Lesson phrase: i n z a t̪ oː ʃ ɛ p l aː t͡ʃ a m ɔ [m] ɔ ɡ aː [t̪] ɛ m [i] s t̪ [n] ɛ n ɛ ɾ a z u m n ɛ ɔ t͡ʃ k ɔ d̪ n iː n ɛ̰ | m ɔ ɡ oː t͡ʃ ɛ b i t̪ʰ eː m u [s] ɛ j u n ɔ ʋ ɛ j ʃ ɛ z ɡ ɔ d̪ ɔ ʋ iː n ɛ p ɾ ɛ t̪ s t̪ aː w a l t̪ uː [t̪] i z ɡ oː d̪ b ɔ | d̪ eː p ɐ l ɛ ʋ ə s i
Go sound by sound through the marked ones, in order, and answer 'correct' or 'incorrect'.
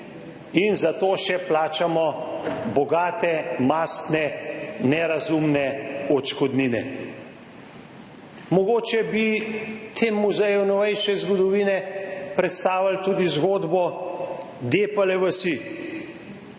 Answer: incorrect, correct, incorrect, correct, incorrect, incorrect

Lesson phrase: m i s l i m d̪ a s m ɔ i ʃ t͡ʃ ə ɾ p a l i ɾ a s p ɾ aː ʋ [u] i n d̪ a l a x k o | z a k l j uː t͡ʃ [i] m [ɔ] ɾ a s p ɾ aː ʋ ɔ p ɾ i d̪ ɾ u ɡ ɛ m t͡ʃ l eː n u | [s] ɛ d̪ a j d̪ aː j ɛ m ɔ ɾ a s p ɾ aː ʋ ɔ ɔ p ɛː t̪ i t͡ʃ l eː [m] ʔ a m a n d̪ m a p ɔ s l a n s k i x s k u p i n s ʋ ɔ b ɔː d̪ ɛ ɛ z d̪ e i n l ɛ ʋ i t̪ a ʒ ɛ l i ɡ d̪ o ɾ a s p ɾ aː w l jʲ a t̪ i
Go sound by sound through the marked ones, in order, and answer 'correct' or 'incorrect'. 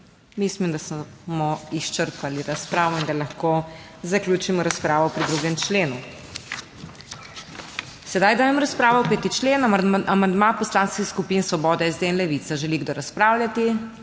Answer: incorrect, correct, correct, correct, incorrect

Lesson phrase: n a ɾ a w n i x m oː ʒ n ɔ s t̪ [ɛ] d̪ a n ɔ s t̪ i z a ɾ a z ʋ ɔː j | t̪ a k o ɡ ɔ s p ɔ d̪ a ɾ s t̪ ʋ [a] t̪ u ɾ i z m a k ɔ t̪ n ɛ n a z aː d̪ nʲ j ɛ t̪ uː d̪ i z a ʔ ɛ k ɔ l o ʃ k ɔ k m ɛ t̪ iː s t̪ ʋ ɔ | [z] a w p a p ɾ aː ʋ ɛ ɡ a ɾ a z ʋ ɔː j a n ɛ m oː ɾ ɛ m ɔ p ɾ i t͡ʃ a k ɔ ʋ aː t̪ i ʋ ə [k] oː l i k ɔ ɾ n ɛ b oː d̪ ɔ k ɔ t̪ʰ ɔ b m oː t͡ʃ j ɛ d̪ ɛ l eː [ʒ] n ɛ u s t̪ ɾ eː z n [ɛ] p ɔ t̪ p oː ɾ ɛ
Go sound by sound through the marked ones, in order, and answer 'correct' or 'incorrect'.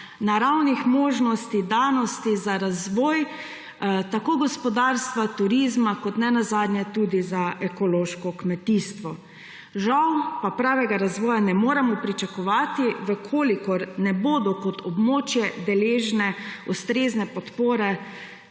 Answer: incorrect, correct, incorrect, incorrect, correct, correct

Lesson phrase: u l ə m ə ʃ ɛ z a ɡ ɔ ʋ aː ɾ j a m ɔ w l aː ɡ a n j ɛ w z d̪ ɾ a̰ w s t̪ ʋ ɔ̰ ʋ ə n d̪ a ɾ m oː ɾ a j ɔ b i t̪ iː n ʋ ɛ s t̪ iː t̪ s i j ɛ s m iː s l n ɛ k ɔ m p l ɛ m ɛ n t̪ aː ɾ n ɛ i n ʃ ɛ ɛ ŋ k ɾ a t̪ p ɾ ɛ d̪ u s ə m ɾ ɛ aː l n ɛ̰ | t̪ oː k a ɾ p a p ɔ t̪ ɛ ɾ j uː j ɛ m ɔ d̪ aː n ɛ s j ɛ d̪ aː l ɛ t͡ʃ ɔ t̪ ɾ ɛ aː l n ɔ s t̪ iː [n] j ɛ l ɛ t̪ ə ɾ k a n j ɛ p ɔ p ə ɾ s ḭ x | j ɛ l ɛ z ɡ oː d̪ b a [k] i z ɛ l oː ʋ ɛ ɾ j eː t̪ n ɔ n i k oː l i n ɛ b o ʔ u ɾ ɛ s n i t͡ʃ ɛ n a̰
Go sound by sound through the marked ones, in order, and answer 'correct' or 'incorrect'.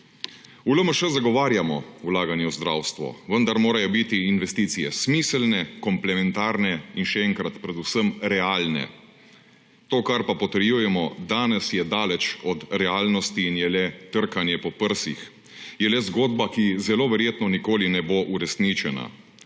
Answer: correct, correct

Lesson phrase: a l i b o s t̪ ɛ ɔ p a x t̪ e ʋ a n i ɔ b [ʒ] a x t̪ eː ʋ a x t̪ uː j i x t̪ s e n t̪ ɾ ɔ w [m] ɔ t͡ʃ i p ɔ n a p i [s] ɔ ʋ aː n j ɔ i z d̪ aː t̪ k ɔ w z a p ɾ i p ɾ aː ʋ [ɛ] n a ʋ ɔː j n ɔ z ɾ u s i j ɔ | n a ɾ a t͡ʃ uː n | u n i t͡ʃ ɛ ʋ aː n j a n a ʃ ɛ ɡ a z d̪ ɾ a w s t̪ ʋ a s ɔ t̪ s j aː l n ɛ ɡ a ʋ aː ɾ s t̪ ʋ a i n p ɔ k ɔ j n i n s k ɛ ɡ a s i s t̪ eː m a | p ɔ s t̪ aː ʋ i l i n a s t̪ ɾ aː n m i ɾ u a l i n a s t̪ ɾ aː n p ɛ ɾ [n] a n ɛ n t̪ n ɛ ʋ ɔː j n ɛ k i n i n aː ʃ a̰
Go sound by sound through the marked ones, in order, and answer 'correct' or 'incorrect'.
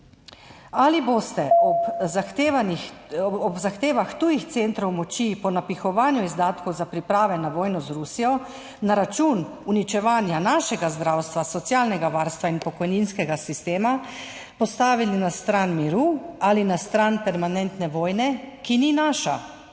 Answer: incorrect, correct, incorrect, correct, incorrect

